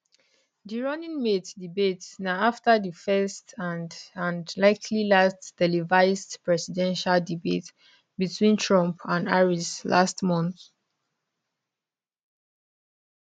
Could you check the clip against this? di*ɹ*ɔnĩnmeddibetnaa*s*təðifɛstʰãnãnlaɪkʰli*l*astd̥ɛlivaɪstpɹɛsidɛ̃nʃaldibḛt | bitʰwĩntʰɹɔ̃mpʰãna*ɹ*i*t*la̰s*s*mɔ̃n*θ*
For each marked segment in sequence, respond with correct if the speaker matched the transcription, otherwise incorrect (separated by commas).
correct, incorrect, correct, correct, incorrect, incorrect, correct